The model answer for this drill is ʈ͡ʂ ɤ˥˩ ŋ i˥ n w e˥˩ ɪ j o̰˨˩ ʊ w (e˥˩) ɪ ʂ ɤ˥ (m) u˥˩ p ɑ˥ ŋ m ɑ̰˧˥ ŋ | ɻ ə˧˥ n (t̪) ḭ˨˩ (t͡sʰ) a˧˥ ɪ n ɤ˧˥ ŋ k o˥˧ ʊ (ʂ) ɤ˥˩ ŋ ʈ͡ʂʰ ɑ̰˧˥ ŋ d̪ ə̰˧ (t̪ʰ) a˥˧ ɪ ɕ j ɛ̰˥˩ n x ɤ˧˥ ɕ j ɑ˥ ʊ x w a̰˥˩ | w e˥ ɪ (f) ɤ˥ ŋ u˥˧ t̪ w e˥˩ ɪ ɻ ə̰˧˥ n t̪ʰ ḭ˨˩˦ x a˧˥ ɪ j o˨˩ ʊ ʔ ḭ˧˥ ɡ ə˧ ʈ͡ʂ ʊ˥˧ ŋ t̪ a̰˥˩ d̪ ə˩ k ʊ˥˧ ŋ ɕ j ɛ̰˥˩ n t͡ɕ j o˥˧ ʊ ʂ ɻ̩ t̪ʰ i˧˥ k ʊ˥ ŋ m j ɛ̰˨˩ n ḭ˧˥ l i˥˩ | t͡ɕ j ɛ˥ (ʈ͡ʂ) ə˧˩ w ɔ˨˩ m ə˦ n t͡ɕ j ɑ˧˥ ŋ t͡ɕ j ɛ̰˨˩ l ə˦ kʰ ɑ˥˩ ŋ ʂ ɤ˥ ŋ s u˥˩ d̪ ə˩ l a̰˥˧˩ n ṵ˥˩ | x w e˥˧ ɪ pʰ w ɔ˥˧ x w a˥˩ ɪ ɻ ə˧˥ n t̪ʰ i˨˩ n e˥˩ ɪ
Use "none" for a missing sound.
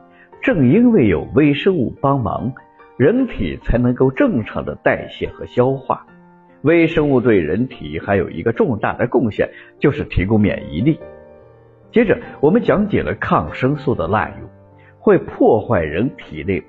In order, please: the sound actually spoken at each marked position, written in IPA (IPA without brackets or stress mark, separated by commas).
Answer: e˥, ŋ, t̪ʰ, t͡sʰ, ʈ͡ʂ, t̪, ʂ, ʈ͡ʂ